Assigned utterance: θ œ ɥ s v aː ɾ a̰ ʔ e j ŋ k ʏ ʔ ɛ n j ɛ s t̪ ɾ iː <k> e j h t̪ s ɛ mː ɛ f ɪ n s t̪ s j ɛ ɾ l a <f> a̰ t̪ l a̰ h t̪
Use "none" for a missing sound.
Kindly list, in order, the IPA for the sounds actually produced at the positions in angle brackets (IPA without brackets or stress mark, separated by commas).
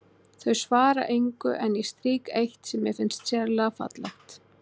k, f